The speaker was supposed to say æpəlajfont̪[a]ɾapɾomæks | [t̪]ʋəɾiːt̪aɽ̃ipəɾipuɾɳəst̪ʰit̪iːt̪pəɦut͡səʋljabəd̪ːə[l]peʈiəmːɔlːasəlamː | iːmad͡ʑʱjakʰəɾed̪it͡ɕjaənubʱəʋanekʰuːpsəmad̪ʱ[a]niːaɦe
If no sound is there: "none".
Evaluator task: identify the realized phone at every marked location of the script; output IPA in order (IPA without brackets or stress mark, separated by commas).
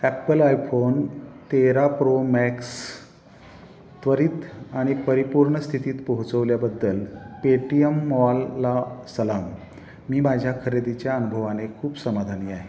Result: e, t̪, l, a